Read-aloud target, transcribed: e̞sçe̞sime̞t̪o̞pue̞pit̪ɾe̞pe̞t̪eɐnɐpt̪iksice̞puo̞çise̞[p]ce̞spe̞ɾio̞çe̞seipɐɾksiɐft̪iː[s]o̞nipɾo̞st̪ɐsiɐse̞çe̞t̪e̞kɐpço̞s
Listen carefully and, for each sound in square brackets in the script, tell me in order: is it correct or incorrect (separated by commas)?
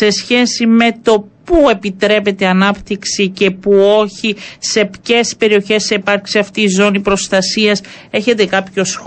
correct, incorrect